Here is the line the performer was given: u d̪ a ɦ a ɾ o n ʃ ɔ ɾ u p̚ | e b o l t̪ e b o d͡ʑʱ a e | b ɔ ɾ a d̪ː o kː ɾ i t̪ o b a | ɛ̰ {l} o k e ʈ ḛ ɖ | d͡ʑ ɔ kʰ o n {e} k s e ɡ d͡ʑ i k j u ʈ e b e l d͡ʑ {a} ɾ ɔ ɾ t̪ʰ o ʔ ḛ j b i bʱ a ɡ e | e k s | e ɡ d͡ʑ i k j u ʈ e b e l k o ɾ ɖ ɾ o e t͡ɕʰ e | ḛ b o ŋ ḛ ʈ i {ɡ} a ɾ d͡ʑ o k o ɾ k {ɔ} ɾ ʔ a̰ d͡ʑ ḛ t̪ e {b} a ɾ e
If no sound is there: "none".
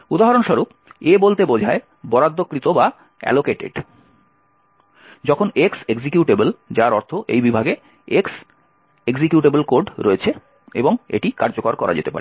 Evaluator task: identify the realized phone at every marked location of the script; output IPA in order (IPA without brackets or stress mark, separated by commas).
l, e, a, k, ɔ, p